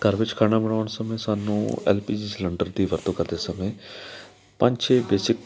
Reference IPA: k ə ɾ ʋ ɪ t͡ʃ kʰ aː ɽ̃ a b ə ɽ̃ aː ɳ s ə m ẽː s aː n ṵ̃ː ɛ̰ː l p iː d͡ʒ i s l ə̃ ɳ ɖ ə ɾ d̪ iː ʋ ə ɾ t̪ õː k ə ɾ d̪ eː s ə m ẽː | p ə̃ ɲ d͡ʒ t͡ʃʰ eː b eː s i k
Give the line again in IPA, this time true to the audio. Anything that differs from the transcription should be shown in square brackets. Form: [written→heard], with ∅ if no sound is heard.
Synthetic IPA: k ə ɾ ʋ ɪ t͡ʃ kʰ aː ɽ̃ a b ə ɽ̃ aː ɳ s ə m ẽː s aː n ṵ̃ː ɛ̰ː l p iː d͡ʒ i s l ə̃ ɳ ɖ ə ɾ d̪ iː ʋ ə ɾ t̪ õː k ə ɾ d̪ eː s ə m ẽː | p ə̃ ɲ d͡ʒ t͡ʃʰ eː b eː s [i→ɪ] k

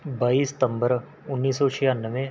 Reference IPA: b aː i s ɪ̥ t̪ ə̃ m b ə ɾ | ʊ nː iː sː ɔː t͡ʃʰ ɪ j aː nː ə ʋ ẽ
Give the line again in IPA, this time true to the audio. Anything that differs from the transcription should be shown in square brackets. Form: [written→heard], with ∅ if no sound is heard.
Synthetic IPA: b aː i s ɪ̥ t̪ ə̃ m b ə ɾ | ʊ nː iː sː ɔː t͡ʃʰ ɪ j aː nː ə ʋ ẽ

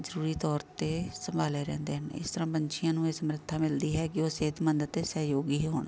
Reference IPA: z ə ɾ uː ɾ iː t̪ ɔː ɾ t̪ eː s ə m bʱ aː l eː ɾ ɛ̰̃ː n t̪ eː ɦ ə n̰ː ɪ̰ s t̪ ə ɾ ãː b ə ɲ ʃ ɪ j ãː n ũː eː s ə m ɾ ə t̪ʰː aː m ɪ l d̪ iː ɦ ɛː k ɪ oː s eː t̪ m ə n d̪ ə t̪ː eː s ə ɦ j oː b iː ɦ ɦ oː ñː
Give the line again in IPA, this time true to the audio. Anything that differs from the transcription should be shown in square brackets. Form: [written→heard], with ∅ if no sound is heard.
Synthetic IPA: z ə ɾ uː ɾ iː t̪ ɔː ɾ t̪ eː s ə m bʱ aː l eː ɾ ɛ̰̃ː n [t̪→d̪] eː ɦ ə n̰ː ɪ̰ s t̪ ə ɾ ãː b ə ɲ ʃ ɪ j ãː n ũː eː s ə m ɾ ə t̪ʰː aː m ɪ l d̪ iː ɦ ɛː k ɪ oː s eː t̪ m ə n d̪ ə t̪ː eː s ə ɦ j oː [b→ɡ] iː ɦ ɦ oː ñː

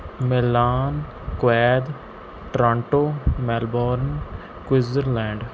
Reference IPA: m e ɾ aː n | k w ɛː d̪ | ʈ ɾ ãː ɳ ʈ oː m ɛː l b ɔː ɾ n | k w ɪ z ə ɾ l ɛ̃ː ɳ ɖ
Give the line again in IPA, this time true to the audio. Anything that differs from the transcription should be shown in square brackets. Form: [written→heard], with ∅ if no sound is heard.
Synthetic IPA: m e [ɾ→l] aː n | k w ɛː d̪ | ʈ ɾ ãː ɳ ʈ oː m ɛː l b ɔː ɾ n | k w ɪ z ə ɾ l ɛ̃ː ɳ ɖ

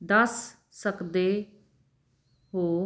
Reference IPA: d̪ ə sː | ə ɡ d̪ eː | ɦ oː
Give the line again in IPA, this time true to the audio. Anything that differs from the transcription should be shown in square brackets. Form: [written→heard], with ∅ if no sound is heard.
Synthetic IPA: d̪ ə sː | ə [ɡ→k] d̪ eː | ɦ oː

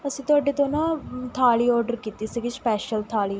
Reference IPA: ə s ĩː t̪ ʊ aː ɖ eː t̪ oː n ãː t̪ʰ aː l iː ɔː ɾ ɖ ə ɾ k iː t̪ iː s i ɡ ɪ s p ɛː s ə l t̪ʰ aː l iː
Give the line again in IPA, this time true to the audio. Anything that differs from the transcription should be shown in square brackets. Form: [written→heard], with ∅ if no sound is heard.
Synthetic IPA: ə s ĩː t̪ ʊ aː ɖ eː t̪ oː n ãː t̪ʰ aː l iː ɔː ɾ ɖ ə ɾ k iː t̪ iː s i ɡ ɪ s p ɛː [s→ʃ] ə l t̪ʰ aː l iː

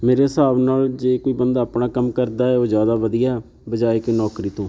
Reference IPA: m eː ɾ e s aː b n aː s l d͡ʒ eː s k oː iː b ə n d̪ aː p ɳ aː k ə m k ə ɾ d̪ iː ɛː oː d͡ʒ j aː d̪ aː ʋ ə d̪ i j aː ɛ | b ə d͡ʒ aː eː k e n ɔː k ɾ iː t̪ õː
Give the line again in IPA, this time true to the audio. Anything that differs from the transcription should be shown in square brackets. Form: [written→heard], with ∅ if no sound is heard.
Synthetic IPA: m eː ɾ e s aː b n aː [s→∅] l d͡ʒ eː [s→∅] k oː iː b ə n d̪ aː p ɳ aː k ə m k ə ɾ d̪ [iː→aː] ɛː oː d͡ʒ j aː d̪ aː ʋ ə d̪ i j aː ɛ | b ə d͡ʒ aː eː k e n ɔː k ɾ iː t̪ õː

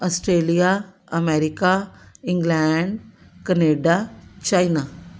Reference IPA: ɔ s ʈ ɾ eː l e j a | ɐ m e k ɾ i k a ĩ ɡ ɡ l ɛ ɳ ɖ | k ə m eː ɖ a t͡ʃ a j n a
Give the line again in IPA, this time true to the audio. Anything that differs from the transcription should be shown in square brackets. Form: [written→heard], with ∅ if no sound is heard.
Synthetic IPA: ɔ s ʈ ɾ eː l [e→i] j a | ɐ m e [k→∅] ɾ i k a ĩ [ɡ→ŋ] ɡ l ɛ ɳ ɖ | k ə [m→n] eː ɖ a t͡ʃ a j n a

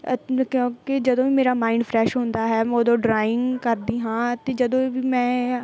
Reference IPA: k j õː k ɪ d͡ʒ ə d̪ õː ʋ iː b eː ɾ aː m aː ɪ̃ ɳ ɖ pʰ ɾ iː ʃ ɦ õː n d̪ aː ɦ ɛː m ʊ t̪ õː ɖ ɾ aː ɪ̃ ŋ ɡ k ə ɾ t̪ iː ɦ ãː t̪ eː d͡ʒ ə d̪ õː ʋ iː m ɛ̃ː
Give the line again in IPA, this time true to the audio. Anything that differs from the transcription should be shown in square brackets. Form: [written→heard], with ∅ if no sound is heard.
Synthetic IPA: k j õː k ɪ d͡ʒ ə d̪ õː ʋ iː [b→m] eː ɾ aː m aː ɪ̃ ɳ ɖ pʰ ɾ [iː→ɛː] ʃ ɦ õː n d̪ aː ɦ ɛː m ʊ [t̪→d̪] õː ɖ ɾ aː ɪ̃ ŋ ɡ k ə ɾ [t̪→d̪] iː ɦ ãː t̪ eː d͡ʒ ə d̪ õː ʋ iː m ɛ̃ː

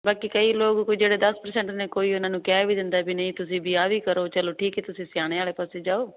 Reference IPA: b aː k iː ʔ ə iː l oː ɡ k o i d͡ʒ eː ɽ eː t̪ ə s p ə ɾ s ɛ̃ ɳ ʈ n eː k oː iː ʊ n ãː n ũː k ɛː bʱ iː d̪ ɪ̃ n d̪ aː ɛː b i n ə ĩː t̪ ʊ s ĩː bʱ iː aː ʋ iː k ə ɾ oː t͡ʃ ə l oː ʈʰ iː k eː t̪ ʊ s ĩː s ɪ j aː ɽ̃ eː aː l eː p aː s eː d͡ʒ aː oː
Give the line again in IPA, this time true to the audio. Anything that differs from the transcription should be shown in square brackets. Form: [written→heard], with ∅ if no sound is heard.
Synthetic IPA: b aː k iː [ʔ→k] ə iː l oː ɡ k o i d͡ʒ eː ɽ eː [t̪→d̪] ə s p ə ɾ s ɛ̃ ɳ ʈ n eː k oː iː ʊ n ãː n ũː k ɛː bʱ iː d̪ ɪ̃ n d̪ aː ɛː b i n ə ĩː t̪ ʊ s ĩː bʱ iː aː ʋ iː k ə ɾ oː t͡ʃ ə l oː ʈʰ iː k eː t̪ ʊ s ĩː s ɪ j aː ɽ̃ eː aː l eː p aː s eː d͡ʒ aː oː

